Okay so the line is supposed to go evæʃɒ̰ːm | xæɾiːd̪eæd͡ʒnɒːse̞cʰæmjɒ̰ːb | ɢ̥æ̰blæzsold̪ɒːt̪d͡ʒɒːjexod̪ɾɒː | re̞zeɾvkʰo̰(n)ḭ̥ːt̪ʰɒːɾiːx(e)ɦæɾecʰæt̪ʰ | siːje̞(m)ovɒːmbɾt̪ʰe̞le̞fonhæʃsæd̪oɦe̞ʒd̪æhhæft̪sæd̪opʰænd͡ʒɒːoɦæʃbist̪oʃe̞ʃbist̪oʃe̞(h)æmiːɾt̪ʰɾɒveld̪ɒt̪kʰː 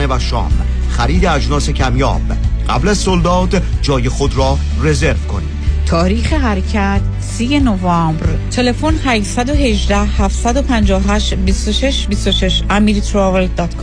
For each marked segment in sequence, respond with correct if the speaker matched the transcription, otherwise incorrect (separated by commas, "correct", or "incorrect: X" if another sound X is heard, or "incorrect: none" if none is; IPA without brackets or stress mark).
correct, correct, incorrect: n, incorrect: ʃ